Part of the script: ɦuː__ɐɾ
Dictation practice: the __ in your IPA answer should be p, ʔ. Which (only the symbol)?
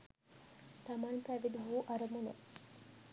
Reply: ʔ